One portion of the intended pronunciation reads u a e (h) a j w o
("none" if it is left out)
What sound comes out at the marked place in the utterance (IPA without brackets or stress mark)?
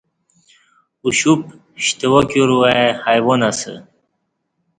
h